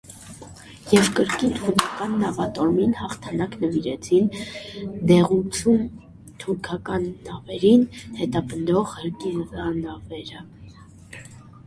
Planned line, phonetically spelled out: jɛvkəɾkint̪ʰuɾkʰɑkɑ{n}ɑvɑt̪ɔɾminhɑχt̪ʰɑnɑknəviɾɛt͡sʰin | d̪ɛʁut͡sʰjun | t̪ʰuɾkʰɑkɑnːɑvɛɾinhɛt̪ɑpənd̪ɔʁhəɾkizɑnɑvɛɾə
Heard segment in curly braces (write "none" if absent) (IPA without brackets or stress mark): nː